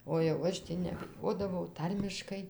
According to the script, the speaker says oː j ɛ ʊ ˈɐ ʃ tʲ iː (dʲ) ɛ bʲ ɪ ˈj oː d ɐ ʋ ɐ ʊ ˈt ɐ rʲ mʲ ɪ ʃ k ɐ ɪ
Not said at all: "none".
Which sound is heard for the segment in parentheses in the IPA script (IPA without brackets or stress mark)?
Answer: nʲ